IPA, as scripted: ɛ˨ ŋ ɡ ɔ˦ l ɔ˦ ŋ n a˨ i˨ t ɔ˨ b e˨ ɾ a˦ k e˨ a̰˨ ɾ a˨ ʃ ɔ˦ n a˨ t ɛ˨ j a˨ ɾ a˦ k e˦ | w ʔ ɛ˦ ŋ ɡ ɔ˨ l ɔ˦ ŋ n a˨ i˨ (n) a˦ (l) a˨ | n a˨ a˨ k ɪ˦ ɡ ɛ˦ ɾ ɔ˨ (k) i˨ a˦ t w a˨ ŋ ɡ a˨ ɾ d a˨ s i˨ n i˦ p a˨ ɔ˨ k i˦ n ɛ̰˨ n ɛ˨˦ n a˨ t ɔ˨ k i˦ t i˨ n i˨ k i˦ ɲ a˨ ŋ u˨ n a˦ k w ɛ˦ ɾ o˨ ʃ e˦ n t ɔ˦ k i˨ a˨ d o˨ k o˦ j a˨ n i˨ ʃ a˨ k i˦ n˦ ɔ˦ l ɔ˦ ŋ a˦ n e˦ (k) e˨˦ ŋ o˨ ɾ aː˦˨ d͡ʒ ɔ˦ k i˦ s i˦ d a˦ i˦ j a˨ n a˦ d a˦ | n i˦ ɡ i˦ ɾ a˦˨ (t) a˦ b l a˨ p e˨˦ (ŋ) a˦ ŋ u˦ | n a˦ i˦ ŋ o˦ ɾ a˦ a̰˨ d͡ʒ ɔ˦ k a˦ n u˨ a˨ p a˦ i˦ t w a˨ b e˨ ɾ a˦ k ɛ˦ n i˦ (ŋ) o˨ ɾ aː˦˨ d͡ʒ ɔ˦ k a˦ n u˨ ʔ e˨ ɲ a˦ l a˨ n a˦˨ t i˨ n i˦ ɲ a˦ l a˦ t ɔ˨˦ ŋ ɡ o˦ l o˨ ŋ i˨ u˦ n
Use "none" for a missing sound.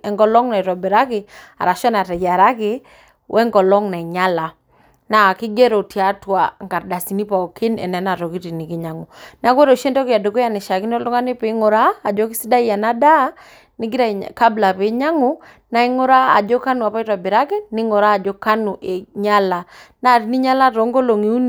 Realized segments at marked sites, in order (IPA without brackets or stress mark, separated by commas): ɲ, l, t, p, k, ɲ, ŋ